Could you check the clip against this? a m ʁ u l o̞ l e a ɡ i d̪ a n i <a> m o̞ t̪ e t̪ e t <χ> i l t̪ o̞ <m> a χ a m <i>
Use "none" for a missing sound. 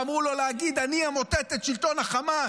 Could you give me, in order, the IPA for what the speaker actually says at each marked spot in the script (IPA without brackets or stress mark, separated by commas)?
a, ʃ, n, a